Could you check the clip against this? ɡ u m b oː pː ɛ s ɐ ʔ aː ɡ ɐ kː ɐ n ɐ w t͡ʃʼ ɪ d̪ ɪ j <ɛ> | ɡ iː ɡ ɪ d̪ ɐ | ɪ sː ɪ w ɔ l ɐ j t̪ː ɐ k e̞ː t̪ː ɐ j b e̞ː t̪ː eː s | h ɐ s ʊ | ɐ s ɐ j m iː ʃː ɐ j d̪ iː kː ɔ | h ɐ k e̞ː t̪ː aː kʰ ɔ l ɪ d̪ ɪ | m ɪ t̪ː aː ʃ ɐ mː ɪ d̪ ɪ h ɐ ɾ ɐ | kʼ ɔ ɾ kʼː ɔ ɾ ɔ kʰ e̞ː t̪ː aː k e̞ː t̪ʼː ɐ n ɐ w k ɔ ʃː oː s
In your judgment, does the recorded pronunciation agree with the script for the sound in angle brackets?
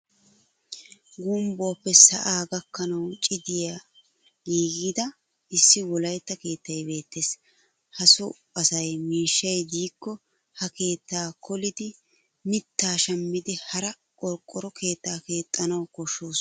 no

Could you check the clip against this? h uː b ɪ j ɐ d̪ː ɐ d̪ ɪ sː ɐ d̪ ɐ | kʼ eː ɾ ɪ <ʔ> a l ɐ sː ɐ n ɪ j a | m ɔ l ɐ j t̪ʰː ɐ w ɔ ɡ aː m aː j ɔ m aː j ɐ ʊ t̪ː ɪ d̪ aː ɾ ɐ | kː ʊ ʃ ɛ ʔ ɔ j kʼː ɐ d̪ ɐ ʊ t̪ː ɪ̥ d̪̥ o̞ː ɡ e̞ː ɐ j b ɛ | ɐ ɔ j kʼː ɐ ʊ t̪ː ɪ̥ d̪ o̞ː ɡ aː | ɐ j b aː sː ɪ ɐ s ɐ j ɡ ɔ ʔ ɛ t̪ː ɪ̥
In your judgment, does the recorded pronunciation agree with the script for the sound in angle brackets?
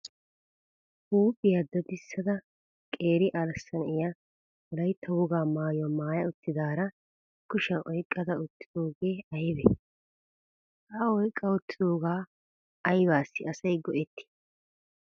yes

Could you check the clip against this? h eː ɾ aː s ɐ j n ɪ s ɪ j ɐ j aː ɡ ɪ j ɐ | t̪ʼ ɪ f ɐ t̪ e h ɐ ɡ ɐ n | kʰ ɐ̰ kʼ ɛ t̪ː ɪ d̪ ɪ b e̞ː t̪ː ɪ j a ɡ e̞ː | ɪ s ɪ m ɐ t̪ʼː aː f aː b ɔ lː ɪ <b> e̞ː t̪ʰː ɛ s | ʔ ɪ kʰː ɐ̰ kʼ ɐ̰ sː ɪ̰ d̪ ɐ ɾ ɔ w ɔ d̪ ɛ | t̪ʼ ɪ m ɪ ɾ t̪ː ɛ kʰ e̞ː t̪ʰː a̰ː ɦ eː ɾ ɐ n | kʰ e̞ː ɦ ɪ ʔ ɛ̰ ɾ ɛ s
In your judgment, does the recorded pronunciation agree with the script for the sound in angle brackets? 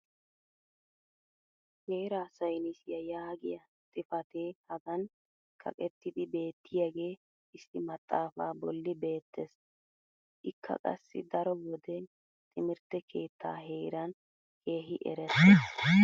yes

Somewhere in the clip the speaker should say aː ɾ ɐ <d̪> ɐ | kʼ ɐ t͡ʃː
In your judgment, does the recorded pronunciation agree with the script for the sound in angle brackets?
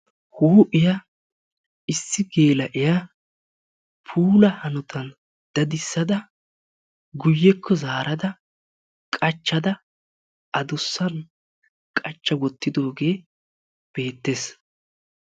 yes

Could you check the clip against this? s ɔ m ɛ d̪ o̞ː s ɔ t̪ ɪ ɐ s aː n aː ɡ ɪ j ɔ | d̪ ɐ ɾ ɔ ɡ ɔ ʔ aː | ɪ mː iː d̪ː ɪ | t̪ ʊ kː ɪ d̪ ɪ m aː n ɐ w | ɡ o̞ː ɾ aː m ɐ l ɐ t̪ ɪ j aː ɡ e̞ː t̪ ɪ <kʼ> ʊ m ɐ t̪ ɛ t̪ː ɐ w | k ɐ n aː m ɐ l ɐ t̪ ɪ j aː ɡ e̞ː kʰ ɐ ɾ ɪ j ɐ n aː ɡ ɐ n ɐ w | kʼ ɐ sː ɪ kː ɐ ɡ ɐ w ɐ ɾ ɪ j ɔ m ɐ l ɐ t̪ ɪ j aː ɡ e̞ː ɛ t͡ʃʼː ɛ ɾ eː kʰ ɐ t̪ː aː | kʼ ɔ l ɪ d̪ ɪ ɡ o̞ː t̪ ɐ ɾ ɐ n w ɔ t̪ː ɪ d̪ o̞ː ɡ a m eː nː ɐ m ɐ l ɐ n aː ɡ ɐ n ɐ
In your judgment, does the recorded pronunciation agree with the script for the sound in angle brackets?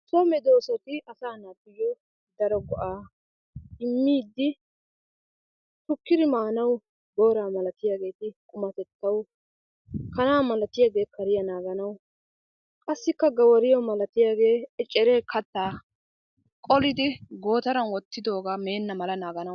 yes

